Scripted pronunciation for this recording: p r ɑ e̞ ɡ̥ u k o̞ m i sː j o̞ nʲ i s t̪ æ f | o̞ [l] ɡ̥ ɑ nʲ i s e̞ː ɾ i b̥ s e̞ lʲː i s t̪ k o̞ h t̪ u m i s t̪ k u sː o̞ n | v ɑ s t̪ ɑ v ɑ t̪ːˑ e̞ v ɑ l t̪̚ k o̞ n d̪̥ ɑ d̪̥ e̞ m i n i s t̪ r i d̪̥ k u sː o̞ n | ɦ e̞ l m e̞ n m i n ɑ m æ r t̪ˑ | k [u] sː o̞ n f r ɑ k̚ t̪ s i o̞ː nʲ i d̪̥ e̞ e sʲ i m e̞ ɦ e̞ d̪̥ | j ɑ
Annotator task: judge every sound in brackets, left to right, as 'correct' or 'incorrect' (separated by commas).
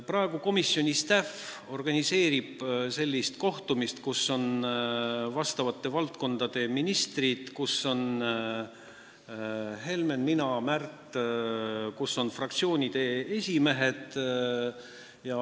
incorrect, correct